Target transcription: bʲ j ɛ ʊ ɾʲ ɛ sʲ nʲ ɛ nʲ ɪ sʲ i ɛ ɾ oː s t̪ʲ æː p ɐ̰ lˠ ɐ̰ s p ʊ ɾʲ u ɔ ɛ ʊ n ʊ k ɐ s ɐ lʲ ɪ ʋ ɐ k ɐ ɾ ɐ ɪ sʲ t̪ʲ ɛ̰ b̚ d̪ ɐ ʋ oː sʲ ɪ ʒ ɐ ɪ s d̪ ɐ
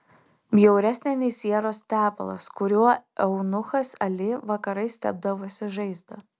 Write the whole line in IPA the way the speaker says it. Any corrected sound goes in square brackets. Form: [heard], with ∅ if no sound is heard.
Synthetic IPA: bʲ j ɛ ʊ ɾʲ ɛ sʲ nʲ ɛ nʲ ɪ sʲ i ɛ ɾ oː s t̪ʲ æː p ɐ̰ lˠ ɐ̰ s [k] ʊ ɾʲ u ɔ ɛ ʊ n ʊ [x] ɐ s ɐ lʲ ɪ ʋ ɐ k ɐ ɾ ɐ ɪ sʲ t̪ʲ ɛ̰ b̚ d̪ ɐ ʋ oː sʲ ɪ ʒ ɐ ɪ [z] d̪ ɐ